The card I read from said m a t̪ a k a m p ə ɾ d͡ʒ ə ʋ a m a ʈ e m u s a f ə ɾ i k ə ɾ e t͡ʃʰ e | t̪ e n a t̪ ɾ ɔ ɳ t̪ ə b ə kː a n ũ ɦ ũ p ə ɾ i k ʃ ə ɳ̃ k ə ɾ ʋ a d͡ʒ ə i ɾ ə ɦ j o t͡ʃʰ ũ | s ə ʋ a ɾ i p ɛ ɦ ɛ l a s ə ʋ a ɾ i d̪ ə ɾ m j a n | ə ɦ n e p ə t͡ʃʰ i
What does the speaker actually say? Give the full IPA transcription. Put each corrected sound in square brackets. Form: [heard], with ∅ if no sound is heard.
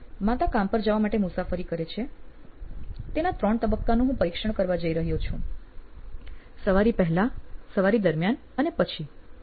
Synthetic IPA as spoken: m a t̪ a k a m p ə ɾ d͡ʒ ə ʋ a m a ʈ e m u s a f ə ɾ i k ə ɾ e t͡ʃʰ e | t̪ e n a t̪ ɾ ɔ ɳ t̪ ə b ə kː a n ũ ɦ ũ p ə ɾ i k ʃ ə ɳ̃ k ə ɾ ʋ a d͡ʒ ə i ɾ ə ɦ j o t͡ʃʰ ũ | s ə ʋ a ɾ i p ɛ ɦ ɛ l a s ə ʋ a ɾ i d̪ ə ɾ m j a n | ə [∅] n e p ə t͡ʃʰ i